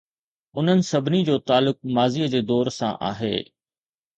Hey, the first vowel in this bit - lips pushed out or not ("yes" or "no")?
yes